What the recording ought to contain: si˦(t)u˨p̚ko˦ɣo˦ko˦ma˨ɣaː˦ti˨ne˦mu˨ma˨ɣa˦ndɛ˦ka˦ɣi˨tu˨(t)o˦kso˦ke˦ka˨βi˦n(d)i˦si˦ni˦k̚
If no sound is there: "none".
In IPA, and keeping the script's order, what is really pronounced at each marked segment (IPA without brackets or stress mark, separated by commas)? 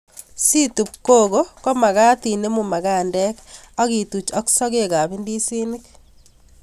t, t͡ʃ, d